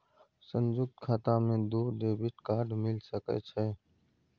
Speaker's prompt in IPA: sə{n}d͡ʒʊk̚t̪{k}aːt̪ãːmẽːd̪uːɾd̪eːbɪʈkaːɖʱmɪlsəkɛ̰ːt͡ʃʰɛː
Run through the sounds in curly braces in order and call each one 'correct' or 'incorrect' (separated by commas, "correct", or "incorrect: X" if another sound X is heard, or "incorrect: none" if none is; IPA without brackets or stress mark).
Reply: correct, incorrect: kʰ